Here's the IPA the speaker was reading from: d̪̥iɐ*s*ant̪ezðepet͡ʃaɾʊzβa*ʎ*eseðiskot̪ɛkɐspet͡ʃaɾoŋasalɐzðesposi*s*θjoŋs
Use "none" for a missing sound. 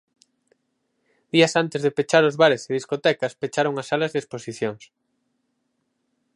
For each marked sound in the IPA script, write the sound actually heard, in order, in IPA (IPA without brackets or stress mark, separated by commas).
s, ɾ, none